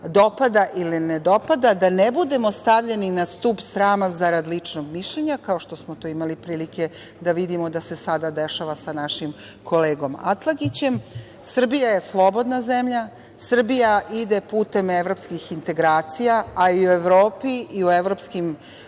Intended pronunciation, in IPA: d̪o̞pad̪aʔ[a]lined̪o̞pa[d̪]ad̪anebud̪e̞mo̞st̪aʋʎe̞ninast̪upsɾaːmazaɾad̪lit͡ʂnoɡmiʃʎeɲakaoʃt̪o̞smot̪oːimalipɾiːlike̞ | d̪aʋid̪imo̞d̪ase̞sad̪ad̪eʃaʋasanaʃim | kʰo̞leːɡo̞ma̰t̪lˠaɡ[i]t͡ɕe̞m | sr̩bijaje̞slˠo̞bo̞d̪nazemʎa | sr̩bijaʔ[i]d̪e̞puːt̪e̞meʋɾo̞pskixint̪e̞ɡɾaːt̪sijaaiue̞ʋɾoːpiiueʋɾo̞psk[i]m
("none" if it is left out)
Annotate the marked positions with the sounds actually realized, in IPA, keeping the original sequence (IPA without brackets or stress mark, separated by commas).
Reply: i, d̪, i, i, i